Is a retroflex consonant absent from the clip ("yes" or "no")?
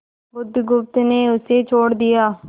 no